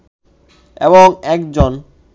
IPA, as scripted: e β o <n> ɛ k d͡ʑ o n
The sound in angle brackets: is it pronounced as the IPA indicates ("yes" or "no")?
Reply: no